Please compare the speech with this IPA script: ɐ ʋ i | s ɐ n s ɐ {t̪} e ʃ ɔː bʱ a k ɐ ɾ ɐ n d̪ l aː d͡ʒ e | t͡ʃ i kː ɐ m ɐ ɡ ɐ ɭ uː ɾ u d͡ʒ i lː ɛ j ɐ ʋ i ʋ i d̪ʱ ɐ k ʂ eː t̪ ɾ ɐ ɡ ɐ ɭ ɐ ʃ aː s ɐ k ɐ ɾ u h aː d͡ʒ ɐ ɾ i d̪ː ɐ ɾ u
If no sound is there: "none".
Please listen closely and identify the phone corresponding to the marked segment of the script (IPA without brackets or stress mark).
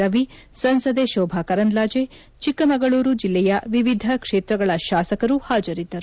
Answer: d̪